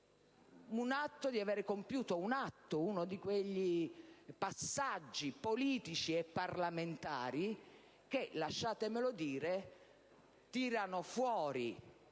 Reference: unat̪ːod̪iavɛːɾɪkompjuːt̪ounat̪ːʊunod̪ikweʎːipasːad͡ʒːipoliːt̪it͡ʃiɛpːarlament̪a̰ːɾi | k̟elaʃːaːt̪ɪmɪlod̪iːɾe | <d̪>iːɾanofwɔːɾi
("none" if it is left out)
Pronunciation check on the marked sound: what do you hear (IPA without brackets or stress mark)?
t̪